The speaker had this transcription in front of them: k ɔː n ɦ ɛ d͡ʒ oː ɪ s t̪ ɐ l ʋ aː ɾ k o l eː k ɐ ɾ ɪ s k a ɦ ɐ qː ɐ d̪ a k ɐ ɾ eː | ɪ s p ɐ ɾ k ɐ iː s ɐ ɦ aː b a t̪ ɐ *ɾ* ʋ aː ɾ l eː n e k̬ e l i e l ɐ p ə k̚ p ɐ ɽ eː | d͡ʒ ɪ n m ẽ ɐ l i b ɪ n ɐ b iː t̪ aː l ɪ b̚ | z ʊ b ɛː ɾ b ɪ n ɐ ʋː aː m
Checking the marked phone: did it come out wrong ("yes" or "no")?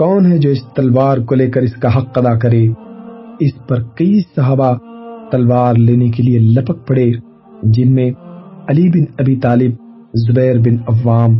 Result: yes